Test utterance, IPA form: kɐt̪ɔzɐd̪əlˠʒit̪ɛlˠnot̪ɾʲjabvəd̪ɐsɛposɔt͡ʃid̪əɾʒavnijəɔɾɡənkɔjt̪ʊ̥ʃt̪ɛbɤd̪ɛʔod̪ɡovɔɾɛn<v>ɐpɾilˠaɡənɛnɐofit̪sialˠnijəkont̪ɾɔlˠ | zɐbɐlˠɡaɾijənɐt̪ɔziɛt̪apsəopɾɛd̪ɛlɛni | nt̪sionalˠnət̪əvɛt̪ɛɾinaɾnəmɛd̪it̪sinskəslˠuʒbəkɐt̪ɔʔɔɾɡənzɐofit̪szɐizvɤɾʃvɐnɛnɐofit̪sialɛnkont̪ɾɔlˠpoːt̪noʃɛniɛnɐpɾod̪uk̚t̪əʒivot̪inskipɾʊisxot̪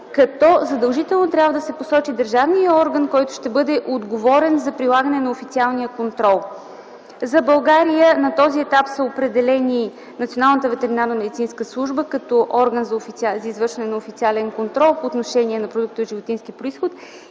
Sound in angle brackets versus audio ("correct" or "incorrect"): incorrect